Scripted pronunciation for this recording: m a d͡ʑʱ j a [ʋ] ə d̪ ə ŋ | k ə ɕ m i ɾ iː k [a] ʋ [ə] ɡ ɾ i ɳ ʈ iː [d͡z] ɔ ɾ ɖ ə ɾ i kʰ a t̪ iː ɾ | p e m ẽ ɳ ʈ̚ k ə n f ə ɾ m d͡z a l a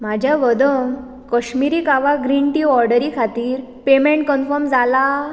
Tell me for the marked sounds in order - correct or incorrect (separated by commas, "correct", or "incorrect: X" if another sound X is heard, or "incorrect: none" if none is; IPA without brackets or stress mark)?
correct, correct, incorrect: a, incorrect: none